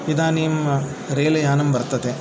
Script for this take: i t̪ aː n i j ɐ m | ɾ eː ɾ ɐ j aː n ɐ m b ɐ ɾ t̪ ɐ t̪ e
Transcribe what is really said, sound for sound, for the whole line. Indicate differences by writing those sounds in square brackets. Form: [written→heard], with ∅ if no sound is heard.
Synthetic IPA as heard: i [t̪→d̪] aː n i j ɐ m | ɾ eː [ɾ→l] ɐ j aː n ɐ m b ɐ ɾ t̪ ɐ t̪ e